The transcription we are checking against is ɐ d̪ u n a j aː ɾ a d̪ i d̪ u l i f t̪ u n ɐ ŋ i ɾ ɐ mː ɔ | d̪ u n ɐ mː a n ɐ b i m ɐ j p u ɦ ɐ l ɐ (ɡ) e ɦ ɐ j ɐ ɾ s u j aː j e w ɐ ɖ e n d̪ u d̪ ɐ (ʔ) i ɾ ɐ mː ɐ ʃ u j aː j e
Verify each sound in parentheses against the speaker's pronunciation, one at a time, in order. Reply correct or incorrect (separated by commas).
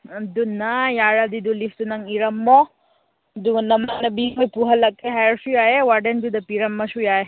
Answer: incorrect, incorrect